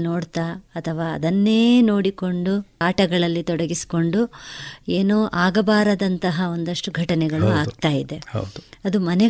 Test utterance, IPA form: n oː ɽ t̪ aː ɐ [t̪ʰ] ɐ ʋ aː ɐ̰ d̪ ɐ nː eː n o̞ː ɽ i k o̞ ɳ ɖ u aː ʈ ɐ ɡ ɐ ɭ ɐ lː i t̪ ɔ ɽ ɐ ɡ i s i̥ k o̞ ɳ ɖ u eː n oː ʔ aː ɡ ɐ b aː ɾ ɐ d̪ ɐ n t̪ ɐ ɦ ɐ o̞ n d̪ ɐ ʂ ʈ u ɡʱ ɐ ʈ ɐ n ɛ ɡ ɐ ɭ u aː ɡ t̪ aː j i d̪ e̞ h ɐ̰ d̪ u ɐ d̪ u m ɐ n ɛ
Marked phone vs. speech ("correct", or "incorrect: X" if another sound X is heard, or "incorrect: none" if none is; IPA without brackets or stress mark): correct